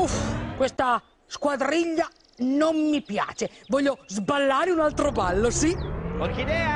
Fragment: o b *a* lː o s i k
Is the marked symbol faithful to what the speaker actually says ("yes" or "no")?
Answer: yes